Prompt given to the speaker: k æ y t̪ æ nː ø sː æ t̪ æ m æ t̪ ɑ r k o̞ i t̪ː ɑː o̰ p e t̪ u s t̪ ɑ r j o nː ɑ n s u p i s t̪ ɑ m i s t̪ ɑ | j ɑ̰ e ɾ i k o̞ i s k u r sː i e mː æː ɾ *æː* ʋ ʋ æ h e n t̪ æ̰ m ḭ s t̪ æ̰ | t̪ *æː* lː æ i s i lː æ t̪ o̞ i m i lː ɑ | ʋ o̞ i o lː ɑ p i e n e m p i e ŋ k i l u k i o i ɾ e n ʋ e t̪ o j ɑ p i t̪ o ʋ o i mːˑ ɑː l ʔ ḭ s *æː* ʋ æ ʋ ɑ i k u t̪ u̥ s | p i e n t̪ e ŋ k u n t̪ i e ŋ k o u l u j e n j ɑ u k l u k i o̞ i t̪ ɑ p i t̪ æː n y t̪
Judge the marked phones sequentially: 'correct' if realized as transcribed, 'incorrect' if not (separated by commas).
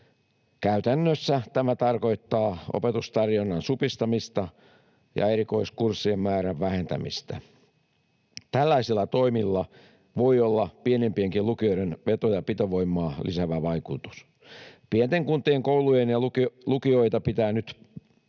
incorrect, incorrect, incorrect